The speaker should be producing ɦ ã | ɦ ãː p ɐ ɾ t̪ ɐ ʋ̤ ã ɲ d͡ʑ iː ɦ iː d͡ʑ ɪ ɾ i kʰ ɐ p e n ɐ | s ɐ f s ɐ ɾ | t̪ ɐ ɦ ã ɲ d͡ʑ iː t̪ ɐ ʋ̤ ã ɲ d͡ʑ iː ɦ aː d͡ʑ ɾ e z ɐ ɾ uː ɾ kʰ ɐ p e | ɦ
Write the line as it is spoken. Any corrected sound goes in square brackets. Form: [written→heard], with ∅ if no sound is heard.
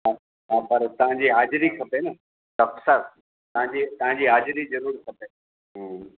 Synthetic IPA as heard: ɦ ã | ɦ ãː p ɐ ɾ t̪ ɐ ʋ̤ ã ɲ d͡ʑ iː ɦ [iː→aː] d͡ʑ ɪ ɾ i kʰ ɐ p e n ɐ | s ɐ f s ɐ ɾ | t̪ ɐ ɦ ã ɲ d͡ʑ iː t̪ ɐ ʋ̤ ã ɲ d͡ʑ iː ɦ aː d͡ʑ ɾ [e→i] z ɐ ɾ uː ɾ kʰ ɐ p e | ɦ